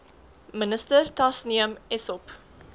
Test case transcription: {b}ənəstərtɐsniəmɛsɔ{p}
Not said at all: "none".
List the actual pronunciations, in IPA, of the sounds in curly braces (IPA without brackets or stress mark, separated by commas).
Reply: m, p